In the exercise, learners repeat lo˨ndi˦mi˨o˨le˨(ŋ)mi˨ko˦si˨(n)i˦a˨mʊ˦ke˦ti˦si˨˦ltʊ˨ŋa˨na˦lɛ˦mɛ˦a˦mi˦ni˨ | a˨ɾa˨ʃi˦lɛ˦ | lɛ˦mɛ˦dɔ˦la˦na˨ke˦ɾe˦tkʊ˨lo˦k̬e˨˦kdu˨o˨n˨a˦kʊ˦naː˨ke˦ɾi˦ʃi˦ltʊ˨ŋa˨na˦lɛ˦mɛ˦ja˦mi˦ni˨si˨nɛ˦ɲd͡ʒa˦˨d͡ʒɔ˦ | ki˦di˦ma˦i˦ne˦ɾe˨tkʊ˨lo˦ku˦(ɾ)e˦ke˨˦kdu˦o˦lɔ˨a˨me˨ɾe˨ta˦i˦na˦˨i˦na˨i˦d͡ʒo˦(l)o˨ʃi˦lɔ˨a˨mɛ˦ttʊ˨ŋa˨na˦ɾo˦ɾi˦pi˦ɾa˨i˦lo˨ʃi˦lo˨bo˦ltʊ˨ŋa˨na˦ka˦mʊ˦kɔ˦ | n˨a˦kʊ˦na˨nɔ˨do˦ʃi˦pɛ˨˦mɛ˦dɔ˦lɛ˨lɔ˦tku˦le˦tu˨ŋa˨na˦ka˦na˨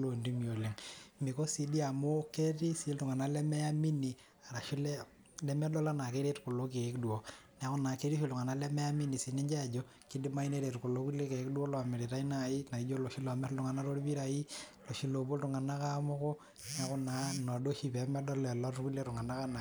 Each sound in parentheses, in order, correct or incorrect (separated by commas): correct, incorrect, incorrect, correct